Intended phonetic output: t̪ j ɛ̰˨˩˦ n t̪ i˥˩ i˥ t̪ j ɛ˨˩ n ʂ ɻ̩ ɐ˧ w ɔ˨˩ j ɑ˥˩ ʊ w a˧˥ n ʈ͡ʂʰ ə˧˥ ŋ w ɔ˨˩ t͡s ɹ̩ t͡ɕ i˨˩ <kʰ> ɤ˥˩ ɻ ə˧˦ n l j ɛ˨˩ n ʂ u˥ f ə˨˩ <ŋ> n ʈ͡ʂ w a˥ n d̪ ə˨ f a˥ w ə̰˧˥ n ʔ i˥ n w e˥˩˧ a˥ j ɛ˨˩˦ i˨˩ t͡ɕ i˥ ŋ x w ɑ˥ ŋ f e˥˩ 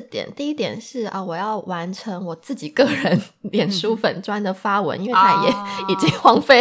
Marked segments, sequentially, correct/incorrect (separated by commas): incorrect, incorrect